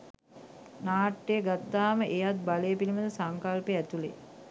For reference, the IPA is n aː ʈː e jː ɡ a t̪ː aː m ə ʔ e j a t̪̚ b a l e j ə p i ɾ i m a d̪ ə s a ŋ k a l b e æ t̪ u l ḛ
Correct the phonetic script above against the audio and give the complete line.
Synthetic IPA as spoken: n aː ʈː e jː ɡ a t̪ː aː m ə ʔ e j a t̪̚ b a l e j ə p i l i m ə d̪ ə s a ŋ k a l p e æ t̪ u l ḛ